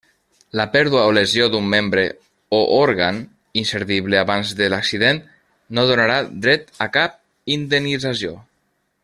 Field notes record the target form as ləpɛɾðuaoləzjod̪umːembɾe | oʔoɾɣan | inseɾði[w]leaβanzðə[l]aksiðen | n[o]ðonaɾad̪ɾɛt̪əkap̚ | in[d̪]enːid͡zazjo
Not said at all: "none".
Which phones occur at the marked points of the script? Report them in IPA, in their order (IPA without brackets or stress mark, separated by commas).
β, l, o, d̪